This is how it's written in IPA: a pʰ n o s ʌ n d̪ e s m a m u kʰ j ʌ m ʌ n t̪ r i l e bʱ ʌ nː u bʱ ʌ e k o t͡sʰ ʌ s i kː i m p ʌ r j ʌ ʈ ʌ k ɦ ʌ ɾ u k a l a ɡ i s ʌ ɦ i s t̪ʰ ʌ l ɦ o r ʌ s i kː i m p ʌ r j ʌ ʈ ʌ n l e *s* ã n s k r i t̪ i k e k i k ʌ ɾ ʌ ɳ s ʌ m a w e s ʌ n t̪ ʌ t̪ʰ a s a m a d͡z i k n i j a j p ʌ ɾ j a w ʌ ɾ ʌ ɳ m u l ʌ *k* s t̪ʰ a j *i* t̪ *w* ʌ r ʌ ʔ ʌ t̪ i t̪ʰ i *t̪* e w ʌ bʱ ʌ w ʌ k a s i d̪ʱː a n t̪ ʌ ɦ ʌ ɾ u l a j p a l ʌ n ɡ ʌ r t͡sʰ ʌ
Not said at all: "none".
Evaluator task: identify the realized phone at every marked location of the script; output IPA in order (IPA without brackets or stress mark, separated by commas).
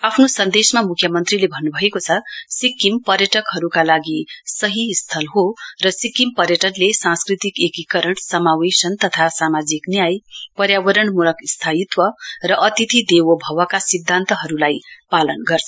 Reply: s, k, i, w, d̪